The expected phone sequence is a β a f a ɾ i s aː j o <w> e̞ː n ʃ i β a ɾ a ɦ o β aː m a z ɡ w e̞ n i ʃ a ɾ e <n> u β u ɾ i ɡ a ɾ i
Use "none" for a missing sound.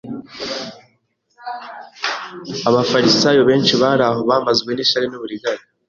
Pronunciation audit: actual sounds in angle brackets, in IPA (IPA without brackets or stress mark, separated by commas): β, n